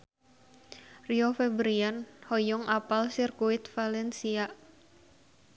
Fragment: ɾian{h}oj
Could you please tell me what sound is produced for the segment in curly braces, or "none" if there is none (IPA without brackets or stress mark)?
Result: h